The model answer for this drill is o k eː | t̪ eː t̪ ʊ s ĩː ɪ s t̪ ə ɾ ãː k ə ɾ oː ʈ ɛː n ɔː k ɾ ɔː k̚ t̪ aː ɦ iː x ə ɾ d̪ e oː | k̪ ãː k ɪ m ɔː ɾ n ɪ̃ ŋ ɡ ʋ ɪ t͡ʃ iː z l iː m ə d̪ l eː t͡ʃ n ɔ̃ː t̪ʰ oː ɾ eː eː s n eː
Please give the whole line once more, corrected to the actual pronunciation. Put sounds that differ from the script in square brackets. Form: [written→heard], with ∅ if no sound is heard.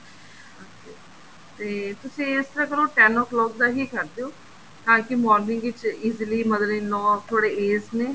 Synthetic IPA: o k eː | t̪ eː t̪ ʊ s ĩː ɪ s t̪ ə ɾ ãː k ə ɾ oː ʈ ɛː n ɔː k [ɾ→l] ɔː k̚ [t̪→d̪] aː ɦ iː [x→k] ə ɾ d̪ e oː | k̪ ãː k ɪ m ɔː ɾ n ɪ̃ ŋ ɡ ʋ ɪ t͡ʃ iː z l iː m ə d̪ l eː [t͡ʃ→∅] n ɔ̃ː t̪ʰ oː [ɾ→ɽ] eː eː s n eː